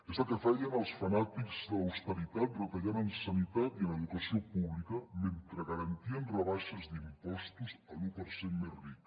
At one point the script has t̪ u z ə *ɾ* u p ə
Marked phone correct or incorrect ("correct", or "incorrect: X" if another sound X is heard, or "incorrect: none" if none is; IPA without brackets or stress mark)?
incorrect: l